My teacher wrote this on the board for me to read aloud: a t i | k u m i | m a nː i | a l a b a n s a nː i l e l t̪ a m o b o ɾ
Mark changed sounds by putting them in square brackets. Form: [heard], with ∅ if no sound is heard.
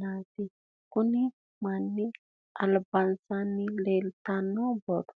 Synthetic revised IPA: a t i | k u [n] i | m a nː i | a l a b a n s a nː i l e l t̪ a [n] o b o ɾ